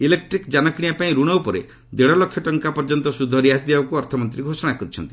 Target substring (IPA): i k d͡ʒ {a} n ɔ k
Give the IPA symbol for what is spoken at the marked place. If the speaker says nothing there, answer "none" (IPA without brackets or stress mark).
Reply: a